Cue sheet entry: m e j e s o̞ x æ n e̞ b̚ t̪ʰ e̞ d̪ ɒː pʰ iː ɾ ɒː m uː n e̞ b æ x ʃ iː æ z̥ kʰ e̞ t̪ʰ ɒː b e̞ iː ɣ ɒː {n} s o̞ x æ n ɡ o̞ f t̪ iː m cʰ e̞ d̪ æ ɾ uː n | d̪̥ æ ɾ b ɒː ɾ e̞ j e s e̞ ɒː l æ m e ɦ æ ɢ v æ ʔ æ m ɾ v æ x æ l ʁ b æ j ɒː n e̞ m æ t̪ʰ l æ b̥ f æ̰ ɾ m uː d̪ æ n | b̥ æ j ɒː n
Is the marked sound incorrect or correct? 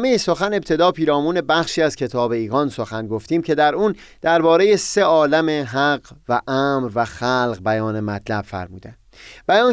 correct